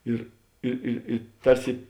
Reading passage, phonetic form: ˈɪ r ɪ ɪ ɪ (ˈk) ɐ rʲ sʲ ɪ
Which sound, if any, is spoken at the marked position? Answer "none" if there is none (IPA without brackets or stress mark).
t